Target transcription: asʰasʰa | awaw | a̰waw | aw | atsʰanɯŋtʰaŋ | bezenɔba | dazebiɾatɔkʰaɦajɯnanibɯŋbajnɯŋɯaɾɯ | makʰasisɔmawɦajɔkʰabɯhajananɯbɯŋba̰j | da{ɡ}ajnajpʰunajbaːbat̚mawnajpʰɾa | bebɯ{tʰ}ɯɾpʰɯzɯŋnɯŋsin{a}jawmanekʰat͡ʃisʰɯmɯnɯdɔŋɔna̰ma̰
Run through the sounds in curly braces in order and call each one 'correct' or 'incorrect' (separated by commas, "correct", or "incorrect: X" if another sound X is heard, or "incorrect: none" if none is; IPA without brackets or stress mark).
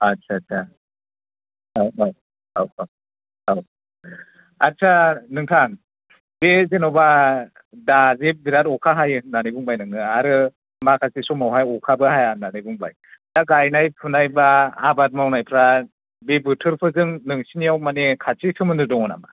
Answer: correct, correct, incorrect: i